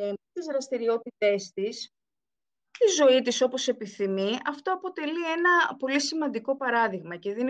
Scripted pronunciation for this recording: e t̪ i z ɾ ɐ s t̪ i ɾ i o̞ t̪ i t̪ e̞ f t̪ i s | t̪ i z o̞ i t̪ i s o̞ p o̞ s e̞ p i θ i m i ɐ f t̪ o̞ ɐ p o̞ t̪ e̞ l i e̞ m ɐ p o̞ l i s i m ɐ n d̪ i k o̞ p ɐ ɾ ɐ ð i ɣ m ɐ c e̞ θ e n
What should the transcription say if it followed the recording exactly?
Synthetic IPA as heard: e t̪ i z ɾ ɐ s t̪ i ɾ i o̞ t̪ i t̪ e̞ s t̪ i s | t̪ i z o̞ i t̪ i s o̞ p o̞ s e̞ p i θ i m i ɐ f t̪ o̞ ɐ p o̞ t̪ e̞ l i e̞ n ɐ p o̞ l i s i m ɐ n d̪ i k o̞ p ɐ ɾ ɐ ð i ɣ m ɐ c e̞ ð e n